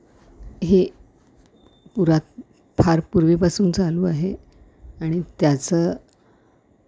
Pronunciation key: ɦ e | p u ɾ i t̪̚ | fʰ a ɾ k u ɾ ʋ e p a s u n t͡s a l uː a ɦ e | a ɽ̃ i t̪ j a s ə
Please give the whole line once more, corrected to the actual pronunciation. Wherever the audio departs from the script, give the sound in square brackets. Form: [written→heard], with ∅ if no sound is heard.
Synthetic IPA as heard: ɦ e | p u ɾ [i→a] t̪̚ | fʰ a ɾ [k→p] u ɾ ʋ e p a s [u→uː] n t͡s a l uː a ɦ e | a ɽ̃ i t̪ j a [s→t͡s] ə